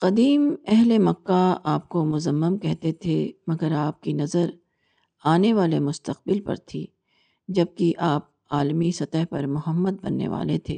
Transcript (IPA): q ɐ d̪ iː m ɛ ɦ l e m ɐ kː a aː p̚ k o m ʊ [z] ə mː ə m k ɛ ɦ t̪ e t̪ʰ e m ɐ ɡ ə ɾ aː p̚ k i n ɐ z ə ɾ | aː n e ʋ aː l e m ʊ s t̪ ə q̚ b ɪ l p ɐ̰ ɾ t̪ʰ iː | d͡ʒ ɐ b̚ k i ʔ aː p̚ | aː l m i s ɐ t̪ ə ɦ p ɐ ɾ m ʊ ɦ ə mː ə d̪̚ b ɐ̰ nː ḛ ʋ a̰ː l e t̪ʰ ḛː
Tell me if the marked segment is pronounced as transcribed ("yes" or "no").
yes